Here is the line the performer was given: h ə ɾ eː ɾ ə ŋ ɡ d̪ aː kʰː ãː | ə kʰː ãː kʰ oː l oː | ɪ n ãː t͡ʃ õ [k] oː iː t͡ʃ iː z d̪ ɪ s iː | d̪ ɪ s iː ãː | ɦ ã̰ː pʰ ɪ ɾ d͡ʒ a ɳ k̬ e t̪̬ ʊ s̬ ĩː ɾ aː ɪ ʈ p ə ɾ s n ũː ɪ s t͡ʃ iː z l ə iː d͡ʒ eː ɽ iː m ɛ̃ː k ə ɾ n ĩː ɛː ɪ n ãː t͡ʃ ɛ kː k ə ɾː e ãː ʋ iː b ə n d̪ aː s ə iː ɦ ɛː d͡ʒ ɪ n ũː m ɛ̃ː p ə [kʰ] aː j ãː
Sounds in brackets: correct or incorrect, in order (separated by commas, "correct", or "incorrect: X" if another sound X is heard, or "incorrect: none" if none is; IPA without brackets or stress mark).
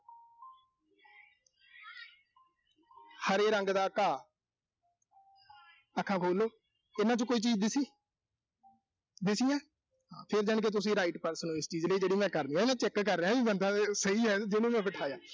correct, incorrect: ʈʰ